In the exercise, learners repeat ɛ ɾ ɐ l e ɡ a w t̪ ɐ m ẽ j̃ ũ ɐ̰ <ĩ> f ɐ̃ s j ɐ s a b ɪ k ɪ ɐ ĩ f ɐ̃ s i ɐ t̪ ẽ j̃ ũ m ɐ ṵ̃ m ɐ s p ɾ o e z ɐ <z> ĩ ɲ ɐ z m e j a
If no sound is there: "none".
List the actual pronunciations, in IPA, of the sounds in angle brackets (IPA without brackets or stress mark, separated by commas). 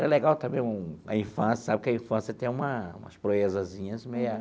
ĩ, z